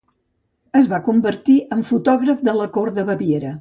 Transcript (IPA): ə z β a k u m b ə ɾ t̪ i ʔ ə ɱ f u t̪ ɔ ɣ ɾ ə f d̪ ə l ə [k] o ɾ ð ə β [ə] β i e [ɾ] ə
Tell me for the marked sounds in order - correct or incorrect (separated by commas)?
correct, correct, correct